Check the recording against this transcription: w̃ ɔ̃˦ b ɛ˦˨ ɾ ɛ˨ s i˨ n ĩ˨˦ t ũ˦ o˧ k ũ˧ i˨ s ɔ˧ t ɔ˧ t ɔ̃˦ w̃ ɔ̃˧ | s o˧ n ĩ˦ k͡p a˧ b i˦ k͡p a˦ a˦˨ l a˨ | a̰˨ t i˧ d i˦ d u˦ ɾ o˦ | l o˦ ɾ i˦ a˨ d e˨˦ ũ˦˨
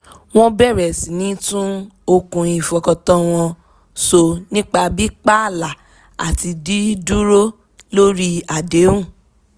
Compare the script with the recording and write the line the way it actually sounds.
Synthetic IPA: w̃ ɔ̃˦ b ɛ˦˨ ɾ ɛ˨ s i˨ n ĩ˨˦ t ũ˦ o˧ k ũ˧ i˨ f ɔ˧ k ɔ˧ t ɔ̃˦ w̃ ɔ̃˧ | s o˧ n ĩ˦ k͡p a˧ b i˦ k͡p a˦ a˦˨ l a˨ | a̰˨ t i˧ d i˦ d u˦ ɾ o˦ | l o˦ ɾ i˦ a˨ d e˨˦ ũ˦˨